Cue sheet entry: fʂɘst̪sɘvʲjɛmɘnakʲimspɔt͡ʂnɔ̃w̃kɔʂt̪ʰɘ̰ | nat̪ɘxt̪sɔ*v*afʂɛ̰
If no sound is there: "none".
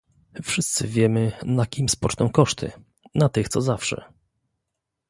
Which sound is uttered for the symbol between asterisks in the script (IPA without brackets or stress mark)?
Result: z